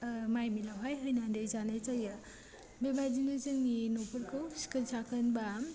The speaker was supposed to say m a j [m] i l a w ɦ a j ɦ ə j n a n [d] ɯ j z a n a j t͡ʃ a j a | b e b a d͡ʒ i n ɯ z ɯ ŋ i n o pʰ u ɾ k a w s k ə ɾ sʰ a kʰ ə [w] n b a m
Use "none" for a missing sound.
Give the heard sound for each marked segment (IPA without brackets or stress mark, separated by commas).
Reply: m, d, none